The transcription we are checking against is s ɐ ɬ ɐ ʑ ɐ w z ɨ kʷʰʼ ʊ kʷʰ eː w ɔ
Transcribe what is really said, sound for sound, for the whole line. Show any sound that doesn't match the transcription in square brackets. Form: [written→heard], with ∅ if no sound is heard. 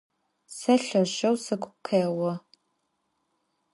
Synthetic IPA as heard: s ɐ ɬ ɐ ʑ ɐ w [z→s] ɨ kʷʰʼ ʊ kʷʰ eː w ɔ

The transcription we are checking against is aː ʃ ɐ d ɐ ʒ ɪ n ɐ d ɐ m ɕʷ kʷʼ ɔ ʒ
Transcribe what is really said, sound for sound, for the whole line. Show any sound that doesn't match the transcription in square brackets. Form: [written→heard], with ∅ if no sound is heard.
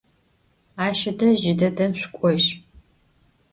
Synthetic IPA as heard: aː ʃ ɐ d ɐ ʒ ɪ [n→d] ɐ d ɐ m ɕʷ kʷʼ ɔ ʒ

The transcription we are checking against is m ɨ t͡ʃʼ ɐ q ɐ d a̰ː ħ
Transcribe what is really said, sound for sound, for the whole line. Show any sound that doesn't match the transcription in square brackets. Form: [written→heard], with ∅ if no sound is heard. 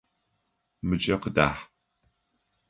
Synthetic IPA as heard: m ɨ t͡ʃʼ ɐ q [ɐ→ə] d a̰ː ħ

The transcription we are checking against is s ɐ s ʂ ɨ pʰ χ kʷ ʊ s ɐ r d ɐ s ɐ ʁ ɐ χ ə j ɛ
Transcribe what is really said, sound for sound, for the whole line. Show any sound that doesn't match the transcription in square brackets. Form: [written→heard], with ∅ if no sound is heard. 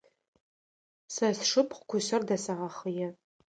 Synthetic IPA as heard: s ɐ s ʂ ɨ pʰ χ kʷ ʊ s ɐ r d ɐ s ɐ ʁ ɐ χ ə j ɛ

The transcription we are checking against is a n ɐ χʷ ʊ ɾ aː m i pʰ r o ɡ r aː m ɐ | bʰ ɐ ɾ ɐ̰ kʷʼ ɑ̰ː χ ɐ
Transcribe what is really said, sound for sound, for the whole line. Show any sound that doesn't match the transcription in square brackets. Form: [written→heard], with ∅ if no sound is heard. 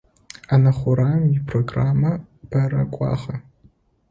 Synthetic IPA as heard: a n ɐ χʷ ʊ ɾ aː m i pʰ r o ɡ r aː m ɐ | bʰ ɐ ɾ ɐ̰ kʷʼ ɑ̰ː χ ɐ

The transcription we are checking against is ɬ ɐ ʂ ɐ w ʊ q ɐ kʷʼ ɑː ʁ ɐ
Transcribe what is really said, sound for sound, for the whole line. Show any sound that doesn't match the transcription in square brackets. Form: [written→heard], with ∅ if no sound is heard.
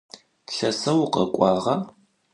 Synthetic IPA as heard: ɬ ɐ [ʂ→s] ɐ w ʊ q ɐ kʷʼ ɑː ʁ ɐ

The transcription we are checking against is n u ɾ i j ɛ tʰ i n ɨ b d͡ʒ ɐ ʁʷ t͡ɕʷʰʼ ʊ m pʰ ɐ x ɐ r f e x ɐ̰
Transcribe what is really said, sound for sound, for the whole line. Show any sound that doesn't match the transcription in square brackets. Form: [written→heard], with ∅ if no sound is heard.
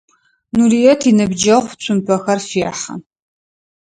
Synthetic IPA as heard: n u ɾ i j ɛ tʰ i n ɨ b d͡ʒ ɐ ʁʷ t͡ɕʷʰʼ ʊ m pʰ ɐ x ɐ r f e [x→ħ] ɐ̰

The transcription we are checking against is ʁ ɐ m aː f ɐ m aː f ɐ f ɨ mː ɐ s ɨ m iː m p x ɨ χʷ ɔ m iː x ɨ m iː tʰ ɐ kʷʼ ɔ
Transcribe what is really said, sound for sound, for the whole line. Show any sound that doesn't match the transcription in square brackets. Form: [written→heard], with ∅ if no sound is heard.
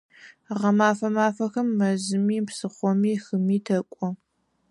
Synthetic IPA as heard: ʁ ɐ m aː f ɐ m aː f ɐ [f→x] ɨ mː ɐ [s→z] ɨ m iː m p [x→s] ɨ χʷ ɔ m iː x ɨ m iː tʰ ɐ kʷʼ ɔ

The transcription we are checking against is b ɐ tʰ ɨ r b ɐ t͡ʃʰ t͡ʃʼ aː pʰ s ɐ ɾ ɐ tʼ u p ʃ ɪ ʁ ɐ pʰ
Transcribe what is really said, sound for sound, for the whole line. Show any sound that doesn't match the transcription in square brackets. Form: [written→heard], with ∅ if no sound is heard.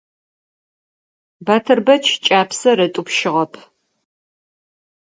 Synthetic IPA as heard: b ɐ tʰ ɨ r b ɐ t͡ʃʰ t͡ʃʼ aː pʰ s ɐ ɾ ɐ tʼ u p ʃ ɪ ʁ ɐ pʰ

